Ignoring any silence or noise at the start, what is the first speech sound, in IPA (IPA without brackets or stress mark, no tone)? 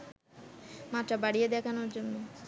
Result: m